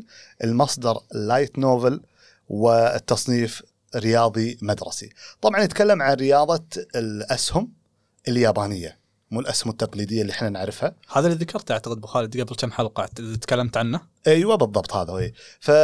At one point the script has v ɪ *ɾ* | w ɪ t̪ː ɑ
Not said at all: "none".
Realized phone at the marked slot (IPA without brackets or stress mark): l